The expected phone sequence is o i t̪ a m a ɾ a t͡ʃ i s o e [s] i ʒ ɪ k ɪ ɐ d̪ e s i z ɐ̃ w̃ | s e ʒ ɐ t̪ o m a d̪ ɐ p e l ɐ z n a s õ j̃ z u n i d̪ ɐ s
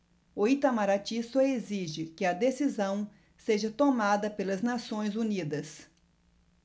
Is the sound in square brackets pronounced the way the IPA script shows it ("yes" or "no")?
no